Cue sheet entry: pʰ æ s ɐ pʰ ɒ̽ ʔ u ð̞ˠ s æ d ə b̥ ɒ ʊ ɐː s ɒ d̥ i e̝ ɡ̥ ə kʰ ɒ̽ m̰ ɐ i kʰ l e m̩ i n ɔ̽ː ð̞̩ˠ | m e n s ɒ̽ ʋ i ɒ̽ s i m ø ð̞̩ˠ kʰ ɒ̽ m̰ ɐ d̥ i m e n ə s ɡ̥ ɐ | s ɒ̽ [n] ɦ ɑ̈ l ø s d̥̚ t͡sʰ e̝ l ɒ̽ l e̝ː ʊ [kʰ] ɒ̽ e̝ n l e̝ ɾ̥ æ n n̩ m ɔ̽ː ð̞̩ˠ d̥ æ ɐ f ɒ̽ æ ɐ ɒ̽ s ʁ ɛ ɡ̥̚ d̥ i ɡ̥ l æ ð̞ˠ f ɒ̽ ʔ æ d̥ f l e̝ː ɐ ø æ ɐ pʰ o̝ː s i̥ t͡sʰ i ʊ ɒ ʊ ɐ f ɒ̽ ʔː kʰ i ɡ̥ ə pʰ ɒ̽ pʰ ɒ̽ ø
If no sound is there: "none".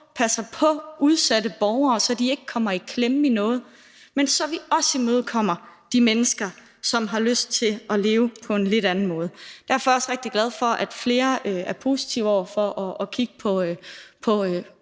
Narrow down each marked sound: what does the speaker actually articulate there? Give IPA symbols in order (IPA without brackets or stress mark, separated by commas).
m, pʰ